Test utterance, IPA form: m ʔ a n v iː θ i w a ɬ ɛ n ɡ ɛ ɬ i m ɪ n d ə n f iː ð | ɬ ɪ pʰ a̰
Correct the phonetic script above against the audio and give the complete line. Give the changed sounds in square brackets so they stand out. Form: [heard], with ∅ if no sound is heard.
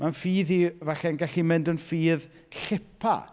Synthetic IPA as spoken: m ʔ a n [f] iː [ð] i [v] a ɬ ɛ n ɡ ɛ ɬ i m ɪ n d ə n f iː ð | ɬ ɪ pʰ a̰